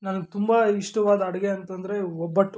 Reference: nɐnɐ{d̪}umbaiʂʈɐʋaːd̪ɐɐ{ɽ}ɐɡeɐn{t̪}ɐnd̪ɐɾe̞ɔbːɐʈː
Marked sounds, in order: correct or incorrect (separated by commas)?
incorrect, correct, correct